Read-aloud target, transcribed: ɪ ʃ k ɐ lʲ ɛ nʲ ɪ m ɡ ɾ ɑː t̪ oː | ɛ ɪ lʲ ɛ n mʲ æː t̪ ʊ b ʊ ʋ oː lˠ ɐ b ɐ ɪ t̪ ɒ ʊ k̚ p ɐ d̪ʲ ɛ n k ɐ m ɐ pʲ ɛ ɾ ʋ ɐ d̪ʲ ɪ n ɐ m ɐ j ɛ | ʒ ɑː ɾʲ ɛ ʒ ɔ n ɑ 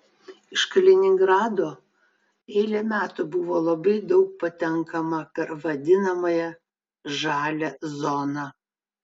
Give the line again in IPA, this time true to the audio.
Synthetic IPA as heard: ɪ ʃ k ɐ lʲ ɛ nʲ ɪ ŋ ɡ ɾ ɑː d̪ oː | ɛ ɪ lʲ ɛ mʲ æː t̪ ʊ b ʊ ʋ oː lˠ ɐ b ɐ ɪ d̪ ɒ ʊ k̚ p ɐ t̪ʲ ɛ ŋ k ɐ m ɐ pʲ ɛ ɾ ʋ ɐ d̪ʲ ɪ n ɐ m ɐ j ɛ | ʒ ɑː lʲ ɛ z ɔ n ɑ

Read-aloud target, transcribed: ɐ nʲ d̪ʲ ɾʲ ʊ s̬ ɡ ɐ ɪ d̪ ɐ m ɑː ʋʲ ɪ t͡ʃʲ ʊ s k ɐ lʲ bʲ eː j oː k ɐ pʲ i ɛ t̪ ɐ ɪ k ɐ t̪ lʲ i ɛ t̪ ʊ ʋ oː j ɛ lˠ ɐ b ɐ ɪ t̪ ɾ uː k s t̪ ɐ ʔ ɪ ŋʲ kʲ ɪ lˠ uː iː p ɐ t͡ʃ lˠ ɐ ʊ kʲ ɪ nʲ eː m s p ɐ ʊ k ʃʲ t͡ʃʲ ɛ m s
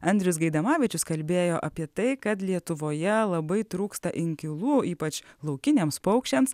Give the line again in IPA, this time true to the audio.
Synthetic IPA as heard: ɐ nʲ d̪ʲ ɾʲ ʊ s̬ ɡ ɐ ɪ d̪ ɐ m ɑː ʋʲ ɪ t͡ʃʲ ʊ s k ɐ lʲ bʲ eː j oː ʔ ɐ pʲ i ɛ t̪ ɐ ɪ k ɐ t̪ lʲ i ɛ t̪ ʊ ʋ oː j ɛ lˠ ɐ b ɐ ɪ t̪ ɾ uː k s t̪ ɐ ʔ ɪ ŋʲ kʲ ɪ lˠ uː iː p ɐ t͡ʃ lˠ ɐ ʊ kʲ ɪ nʲ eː m s p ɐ ʊ k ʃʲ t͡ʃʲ ɛ m s

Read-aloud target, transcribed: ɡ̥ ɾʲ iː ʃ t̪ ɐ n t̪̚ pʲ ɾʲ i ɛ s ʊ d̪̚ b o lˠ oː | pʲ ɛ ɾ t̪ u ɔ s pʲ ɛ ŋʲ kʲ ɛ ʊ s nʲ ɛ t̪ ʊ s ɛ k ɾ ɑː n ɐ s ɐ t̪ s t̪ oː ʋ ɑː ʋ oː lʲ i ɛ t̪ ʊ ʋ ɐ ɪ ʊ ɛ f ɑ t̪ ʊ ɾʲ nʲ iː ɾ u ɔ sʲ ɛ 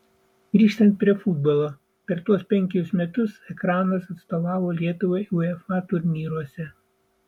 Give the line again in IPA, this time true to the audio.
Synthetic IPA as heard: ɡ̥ ɾʲ iː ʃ t̪ ɐ n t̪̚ pʲ ɾʲ i ɛ f ʊ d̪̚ b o lˠ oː | pʲ ɛ ɾ t̪ u ɔ s pʲ ɛ ŋʲ kʲ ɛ ʊ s mʲ ɛ t̪ ʊ s ɛ k ɾ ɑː n ɐ s ɐ t̪ s t̪ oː ʋ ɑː ʋ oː lʲ i ɛ t̪ ʊ ʋ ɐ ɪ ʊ ɛ f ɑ t̪ ʊ ɾʲ nʲ iː ɾ u ɔ sʲ ɛ

